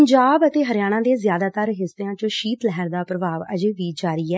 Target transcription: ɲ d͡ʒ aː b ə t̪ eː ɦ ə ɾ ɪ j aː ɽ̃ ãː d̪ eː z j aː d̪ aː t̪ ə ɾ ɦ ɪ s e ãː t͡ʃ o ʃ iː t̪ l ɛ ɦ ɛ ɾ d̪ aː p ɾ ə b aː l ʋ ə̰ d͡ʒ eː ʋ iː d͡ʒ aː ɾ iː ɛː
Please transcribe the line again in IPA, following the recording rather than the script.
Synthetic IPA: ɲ d͡ʒ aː b ə t̪ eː ɦ ə ɾ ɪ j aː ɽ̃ ãː d̪ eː z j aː d̪ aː t̪ ə ɾ ɦ ɪ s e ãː t͡ʃ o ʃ iː t̪ l ɛ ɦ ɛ ɾ d̪ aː p ɾ ə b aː ʋ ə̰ d͡ʒ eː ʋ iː d͡ʒ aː ɾ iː ɛː

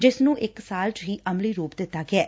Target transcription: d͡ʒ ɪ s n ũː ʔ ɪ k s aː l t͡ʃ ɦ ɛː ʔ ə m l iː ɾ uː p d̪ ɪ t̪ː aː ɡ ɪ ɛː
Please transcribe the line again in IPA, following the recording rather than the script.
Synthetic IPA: d͡ʒ ɪ s n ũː ʔ ɪ k s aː l t͡ʃ ɦ iː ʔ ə m l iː ɾ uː p d̪ ɪ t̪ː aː ɡ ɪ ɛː

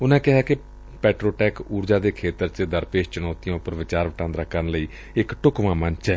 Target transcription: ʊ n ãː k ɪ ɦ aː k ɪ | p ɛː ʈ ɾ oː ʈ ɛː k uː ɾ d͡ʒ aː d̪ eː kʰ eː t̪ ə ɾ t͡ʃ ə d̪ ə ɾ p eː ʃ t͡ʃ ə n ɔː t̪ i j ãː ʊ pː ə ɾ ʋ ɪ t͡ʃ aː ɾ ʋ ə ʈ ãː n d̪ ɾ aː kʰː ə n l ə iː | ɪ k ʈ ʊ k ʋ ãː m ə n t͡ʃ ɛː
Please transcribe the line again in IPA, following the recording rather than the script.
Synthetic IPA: ʊ n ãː k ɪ ɦ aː k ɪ | p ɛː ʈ ɾ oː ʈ ɛː k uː ɾ d͡ʒ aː d̪ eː kʰ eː t̪ ə ɾ t͡ʃ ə d̪ ə ɾ p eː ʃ t͡ʃ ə n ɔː t̪ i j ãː ʊ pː ə ɾ ʋ ɪ t͡ʃ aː ɾ ʋ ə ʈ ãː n d̪ ɾ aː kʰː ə n l ə iː | ɪ k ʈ ʊ k ʋ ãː m ə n t͡ʃ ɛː

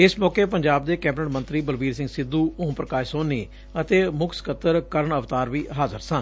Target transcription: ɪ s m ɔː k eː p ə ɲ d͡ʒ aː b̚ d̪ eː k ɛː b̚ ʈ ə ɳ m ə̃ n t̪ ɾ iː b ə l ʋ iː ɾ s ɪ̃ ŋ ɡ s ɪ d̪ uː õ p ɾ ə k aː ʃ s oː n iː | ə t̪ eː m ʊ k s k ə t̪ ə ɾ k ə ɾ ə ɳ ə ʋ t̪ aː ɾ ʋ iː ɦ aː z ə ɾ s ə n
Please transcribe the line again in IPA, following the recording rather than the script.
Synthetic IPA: ɪ s m ɔː k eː p ə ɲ d͡ʒ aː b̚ d̪ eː k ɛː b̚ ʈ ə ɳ m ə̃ n t̪ ɾ iː b ə l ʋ iː ɾ s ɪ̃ ŋ ɡ s ɪ d̪ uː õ p ɾ ə k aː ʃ s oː n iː | ə t̪ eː m ʊ k s k ə t̪ ə ɾ k ə ɾ ə ɳ ə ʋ t̪ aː ɾ ʋ iː ɦ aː z ə ɾ s ə n

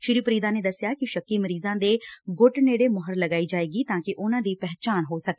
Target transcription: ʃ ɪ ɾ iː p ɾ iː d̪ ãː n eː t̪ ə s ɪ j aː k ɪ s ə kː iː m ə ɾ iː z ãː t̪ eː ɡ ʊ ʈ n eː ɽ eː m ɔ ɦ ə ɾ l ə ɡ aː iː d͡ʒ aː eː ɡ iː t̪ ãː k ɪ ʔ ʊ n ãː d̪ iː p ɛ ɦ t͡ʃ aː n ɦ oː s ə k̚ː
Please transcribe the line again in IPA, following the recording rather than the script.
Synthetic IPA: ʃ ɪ ɾ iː p ɾ iː d̪ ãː n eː d̪ ə s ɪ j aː k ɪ ʃ ə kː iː m ə ɾ iː z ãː d̪ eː ɡ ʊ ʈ n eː ɽ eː m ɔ ɦ ə ɾ l ə ɡ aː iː d͡ʒ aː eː ɡ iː t̪ ãː k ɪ ʔ ʊ n ãː d̪ iː p ɛ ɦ t͡ʃ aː n ɦ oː s ə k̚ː

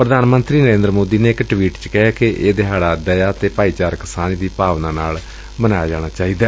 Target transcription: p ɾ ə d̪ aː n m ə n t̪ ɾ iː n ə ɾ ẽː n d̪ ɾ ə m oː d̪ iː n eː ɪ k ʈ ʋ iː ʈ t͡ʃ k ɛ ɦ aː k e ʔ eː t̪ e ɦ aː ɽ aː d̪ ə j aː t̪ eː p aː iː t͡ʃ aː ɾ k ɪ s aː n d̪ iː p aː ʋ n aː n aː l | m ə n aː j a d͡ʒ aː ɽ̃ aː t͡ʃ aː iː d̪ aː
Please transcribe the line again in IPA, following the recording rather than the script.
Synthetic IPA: p ɾ ə d̪ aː n m ə n t̪ ɾ iː n ə ɾ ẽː n d̪ ɾ ə m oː d̪ iː n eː ɪ k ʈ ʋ iː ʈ t͡ʃ k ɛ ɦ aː k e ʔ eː d̪ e ɦ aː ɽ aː d̪ ə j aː t̪ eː p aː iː t͡ʃ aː ɾ k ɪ s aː n d̪ iː p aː ʋ n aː n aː l | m ə n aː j a d͡ʒ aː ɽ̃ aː t͡ʃ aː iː d̪ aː

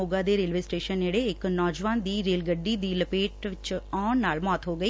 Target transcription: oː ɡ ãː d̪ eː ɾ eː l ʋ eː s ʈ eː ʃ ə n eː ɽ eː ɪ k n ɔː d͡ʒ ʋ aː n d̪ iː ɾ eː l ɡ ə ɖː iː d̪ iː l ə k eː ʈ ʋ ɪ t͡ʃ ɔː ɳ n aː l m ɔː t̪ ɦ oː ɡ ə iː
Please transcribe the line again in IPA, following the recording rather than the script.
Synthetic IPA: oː ɡ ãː d̪ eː ɾ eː l ʋ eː s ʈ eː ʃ ə n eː ɽ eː ɪ k n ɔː d͡ʒ ʋ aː n d̪ iː ɾ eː l ɡ ə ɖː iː d̪ iː l ə p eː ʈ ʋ ɪ t͡ʃ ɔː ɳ n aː l m ɔː t̪ ɦ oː ɡ ə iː

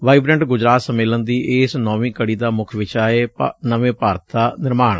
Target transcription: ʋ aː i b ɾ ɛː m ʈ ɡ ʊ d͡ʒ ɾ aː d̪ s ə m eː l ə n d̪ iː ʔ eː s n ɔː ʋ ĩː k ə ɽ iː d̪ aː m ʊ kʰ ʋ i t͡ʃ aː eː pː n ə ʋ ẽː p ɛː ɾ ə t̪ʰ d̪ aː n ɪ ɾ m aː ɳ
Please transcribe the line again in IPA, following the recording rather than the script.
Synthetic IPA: ʋ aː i b ɾ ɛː ɳ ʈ ɡ ʊ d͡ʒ ɾ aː t̪ s ə m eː l ə n d̪ iː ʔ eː s n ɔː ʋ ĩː k ə ɽ iː d̪ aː m ʊ kʰ ʋ ɪ t͡ʃ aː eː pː n ə ʋ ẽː p aː ɾ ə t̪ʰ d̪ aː n ɪ ɾ m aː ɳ

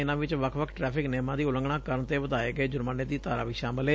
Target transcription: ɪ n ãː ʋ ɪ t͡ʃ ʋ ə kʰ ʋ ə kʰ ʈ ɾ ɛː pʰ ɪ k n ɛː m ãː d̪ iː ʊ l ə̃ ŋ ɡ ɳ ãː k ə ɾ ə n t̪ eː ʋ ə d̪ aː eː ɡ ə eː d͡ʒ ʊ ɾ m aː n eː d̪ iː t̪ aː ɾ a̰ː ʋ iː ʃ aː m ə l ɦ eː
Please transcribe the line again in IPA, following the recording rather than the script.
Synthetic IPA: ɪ n ãː ʋ ɪ t͡ʃ ʋ ə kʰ ʋ ə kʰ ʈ ɾ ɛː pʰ ɪ k n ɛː m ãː d̪ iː ʊ l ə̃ ŋ ɡ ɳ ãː k ə ɾ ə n t̪ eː ʋ ə d̪ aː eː ɡ ə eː d͡ʒ ʊ ɾ m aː n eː d̪ iː t̪ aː ɾ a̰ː ʋ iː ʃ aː m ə l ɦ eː

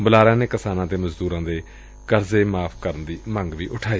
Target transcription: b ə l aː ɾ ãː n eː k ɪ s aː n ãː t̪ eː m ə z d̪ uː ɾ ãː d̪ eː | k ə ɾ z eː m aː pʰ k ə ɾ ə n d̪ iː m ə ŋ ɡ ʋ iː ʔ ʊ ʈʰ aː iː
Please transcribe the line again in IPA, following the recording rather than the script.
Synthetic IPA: b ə l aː ɾ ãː n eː k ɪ s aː n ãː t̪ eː m ə z d̪ uː ɾ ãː d̪ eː | k ə ɾ z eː m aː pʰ k ə ɾ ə n d̪ iː m ə ŋ ɡ ʋ iː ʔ ʊ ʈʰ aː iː

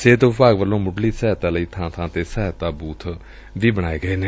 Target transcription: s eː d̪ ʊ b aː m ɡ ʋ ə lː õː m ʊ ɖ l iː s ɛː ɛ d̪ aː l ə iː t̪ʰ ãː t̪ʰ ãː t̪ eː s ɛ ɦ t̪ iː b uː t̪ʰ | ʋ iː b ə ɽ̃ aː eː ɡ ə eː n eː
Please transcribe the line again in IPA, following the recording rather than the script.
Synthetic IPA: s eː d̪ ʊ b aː ɡ ʋ ə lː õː m ʊ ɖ l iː s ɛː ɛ t̪ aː l ə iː t̪ʰ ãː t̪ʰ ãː t̪ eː s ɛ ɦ t̪ aː b uː t̪ʰ | ʋ iː b ə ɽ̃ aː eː ɡ ə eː n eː

